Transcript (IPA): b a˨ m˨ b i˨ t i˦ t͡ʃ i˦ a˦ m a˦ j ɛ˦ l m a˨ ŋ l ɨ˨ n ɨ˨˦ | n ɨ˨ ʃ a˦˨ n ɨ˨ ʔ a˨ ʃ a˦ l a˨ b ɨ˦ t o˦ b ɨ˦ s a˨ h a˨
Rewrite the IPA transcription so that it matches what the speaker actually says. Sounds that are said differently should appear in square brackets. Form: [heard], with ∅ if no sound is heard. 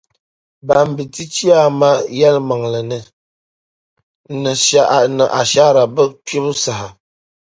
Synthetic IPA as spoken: b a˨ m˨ b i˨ t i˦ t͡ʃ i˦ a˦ m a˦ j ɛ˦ l m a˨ ŋ l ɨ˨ n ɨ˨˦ | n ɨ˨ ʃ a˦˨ n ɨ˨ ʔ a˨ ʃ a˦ [ɾ] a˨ b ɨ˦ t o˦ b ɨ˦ s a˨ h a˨